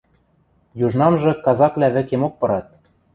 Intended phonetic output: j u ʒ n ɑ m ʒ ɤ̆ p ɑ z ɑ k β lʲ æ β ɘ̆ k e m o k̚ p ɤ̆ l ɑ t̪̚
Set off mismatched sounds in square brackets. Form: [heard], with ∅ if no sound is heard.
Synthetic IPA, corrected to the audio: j u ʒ n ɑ m ʒ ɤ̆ [k] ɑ z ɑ k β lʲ æ β ɘ̆ k e m o k̚ p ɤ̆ [ɾ] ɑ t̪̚